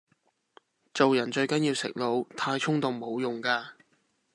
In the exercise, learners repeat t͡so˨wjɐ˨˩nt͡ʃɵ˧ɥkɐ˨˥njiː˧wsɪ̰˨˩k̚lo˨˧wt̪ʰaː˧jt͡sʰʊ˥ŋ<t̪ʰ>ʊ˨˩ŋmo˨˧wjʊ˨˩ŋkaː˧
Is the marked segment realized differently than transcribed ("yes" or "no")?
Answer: yes